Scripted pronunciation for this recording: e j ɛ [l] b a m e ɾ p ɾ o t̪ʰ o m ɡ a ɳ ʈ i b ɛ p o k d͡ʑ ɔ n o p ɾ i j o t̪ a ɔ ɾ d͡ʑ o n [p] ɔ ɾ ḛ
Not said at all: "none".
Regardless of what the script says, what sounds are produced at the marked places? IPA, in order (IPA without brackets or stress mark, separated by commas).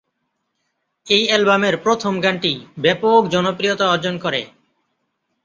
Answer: l, k